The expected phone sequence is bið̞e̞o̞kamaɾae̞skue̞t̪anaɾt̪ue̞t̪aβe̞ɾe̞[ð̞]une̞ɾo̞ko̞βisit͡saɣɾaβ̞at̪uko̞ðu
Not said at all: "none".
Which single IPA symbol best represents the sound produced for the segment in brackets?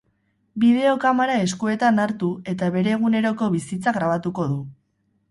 ɣ̞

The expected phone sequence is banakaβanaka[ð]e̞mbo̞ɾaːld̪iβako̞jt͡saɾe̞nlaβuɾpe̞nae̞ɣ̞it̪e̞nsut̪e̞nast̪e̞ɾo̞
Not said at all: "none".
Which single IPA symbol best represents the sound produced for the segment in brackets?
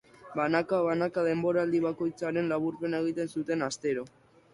ð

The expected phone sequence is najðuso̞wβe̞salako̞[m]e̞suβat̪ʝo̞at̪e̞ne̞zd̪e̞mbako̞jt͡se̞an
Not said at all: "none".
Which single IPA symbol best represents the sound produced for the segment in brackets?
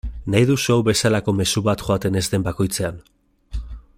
m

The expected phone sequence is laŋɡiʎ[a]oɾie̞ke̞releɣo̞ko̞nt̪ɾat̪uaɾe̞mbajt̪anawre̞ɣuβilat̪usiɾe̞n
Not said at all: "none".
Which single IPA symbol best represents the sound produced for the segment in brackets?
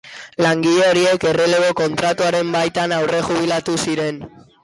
e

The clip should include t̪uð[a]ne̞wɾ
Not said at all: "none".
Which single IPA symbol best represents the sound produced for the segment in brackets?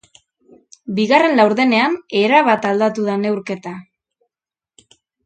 a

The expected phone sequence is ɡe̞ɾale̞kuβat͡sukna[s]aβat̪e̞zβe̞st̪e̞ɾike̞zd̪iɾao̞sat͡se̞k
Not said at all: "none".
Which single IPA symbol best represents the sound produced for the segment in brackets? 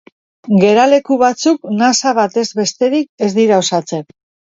s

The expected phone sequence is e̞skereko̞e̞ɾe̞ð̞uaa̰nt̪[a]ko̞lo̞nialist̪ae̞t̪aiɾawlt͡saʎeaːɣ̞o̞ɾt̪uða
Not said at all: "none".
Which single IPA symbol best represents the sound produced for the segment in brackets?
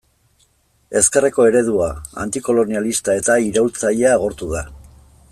i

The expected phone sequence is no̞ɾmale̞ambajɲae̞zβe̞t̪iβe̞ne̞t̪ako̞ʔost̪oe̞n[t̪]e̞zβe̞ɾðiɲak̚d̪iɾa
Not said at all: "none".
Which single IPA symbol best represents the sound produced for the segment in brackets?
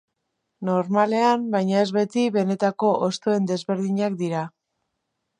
d̪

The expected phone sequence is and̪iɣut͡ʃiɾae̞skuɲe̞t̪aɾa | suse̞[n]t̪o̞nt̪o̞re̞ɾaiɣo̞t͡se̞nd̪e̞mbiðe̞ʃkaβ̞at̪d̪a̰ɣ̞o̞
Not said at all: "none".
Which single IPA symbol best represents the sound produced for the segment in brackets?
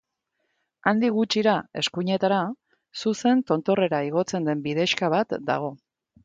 n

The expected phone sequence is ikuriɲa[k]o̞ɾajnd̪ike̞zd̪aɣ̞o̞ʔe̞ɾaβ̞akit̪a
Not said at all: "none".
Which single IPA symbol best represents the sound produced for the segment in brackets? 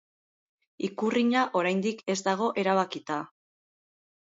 ʔ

